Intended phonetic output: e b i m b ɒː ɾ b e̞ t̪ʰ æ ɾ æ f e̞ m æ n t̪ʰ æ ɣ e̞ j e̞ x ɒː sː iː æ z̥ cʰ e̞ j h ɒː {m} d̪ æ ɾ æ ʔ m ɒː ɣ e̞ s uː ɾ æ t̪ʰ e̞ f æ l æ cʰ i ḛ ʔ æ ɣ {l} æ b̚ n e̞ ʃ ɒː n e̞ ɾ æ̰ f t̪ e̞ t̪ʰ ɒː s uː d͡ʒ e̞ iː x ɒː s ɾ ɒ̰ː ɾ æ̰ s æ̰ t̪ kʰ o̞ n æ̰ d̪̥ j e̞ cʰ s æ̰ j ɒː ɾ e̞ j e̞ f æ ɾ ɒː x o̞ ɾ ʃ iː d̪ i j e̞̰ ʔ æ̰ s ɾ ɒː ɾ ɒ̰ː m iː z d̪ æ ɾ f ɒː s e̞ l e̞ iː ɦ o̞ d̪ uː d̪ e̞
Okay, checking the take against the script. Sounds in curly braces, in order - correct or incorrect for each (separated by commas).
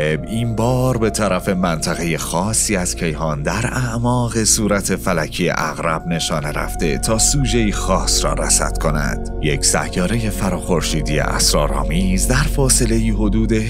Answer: incorrect, incorrect